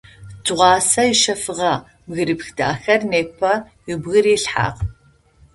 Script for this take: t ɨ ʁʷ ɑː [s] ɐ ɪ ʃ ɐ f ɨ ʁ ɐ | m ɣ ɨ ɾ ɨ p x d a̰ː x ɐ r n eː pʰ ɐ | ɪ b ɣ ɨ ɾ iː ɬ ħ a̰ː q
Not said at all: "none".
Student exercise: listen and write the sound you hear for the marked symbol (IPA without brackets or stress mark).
s